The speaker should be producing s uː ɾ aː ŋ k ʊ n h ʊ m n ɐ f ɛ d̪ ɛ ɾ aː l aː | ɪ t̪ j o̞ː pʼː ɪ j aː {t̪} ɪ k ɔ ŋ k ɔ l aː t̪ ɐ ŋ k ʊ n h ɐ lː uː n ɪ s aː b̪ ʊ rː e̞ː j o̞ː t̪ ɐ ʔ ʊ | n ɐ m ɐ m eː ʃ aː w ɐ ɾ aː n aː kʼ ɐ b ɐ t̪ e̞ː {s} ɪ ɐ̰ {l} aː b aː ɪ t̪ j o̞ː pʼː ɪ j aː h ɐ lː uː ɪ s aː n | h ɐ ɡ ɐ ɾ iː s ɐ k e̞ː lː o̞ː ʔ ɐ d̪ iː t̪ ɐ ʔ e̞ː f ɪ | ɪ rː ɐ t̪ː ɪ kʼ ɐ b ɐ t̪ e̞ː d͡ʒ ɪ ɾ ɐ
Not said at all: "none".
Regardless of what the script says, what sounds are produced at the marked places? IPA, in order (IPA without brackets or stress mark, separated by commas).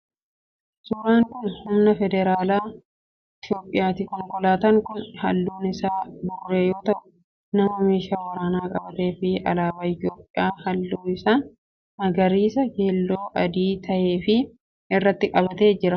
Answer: t̪, f, l